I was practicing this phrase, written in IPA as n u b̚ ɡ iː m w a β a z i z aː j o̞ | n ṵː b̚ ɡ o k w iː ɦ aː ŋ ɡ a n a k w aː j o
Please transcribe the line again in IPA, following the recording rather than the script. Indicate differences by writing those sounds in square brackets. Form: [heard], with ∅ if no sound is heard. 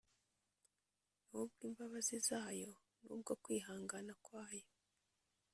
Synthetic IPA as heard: n u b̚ ɡ iː m [b] a β a z i z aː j o̞ | n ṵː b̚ ɡ o k w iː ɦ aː ŋ ɡ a n a k w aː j o